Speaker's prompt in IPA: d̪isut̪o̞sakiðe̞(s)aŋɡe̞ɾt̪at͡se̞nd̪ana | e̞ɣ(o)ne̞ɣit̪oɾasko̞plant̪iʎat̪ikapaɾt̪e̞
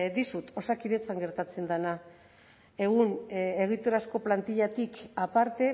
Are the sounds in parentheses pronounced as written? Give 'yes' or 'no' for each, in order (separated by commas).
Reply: no, no